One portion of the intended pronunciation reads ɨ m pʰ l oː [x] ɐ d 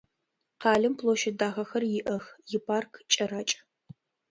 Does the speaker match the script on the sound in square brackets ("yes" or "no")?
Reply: no